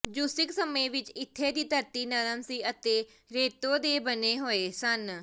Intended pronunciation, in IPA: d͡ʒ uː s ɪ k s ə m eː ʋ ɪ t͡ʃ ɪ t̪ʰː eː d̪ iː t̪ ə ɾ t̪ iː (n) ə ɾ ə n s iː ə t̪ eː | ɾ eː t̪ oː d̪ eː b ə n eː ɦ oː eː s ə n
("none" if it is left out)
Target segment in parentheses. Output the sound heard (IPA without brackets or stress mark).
n